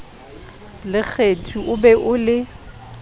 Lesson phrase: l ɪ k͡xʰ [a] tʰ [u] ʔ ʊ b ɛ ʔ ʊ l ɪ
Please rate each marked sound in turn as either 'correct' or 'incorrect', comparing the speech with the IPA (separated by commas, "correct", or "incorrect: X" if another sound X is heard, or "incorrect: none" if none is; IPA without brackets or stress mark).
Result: incorrect: e, correct